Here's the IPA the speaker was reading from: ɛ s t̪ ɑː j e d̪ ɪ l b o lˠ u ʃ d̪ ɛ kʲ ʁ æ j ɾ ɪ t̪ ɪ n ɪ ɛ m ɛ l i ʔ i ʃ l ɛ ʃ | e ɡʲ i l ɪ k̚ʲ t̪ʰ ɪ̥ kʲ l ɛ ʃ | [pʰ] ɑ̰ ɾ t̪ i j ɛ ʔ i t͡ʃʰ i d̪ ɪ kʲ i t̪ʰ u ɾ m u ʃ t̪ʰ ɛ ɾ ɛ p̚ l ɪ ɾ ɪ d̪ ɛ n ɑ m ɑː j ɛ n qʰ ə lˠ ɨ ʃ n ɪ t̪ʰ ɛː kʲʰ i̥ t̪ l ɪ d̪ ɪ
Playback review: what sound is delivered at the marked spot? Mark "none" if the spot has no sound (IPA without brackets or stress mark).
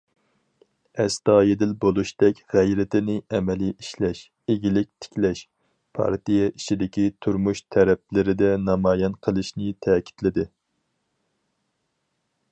pʰ